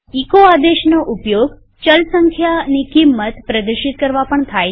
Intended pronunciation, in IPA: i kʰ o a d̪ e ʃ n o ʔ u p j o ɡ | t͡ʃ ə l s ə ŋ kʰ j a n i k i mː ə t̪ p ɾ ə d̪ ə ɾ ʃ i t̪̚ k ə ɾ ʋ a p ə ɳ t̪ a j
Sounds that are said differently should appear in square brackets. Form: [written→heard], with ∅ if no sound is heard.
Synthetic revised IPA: i [kʰ→k] o a d̪ e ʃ n o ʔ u p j o ɡ | t͡ʃ ə l s ə ŋ kʰ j a n i k i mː ə t̪ p ɾ ə d̪ ə ɾ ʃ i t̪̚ k ə ɾ ʋ a p ə ɳ [t̪→t̪ʰ] a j